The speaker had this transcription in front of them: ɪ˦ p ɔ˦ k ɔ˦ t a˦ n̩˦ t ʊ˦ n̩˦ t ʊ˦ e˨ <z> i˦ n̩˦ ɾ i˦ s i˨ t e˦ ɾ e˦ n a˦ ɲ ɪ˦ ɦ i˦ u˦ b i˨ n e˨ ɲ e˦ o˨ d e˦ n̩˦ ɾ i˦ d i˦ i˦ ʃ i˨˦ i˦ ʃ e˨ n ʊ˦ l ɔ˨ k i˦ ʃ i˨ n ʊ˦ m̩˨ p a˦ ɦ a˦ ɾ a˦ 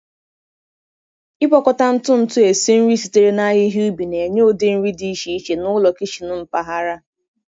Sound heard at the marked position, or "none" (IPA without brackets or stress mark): s